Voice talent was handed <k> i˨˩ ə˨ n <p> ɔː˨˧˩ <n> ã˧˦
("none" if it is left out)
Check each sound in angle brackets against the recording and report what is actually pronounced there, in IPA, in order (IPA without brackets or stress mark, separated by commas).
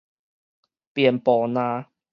p, p, n